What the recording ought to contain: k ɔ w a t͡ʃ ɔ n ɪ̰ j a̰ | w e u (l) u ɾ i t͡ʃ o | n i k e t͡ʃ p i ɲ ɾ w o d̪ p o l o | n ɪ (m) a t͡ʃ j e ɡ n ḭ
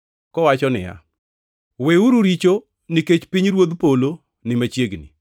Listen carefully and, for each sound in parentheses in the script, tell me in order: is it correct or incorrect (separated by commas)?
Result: incorrect, correct